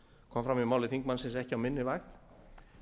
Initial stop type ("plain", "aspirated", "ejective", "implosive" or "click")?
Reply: aspirated